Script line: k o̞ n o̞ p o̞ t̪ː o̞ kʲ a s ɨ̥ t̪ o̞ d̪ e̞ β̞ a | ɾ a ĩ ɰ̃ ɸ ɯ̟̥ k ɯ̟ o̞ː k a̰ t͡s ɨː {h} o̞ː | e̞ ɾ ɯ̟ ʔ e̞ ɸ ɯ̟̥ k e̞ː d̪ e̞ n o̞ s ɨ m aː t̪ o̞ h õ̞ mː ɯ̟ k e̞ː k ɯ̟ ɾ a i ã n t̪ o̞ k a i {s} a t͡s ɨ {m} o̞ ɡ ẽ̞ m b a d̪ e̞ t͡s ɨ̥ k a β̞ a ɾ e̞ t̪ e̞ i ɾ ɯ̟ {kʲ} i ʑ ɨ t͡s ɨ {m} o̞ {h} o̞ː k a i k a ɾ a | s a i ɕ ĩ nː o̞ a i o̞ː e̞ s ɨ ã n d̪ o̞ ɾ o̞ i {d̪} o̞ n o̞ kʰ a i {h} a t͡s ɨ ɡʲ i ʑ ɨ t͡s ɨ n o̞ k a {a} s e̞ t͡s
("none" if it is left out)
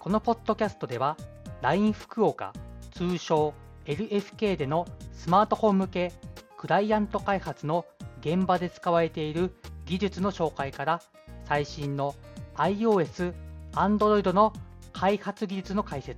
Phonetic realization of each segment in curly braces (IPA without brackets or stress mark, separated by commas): ɕ, h, n, ɡʲ, n, ɕ, d̪, h, i